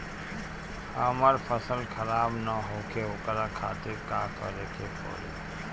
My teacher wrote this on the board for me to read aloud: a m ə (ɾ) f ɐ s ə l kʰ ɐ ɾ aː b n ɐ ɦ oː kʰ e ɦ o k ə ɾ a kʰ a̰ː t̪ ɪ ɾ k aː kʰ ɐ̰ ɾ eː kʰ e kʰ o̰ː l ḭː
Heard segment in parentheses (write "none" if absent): ɾ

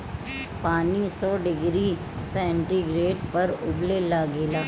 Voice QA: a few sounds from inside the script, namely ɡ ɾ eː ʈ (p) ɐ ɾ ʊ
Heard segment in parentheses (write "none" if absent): p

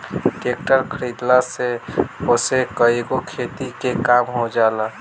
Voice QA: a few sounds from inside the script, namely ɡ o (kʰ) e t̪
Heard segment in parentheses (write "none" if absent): kʰ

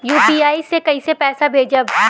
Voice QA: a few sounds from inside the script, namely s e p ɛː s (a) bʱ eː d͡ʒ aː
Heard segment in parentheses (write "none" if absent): a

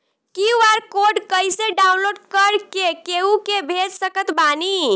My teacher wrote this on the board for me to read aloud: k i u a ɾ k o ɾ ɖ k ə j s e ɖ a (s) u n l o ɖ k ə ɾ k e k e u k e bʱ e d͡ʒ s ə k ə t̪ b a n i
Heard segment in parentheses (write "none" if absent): none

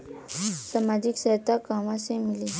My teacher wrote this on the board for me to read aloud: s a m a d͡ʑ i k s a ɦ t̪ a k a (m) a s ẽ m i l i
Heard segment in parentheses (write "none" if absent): m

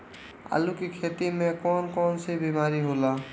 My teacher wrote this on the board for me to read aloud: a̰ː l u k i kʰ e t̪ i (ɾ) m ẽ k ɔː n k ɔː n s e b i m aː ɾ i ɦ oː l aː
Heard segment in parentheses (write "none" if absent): none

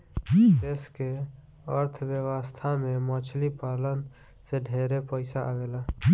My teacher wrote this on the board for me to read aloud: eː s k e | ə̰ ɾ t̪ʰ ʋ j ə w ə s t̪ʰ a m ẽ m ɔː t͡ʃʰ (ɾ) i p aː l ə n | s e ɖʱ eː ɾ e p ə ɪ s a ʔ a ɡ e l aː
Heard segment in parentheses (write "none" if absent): l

